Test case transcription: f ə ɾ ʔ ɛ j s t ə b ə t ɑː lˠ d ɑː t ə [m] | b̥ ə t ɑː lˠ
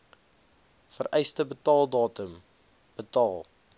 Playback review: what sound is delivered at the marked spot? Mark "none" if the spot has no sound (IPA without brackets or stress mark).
m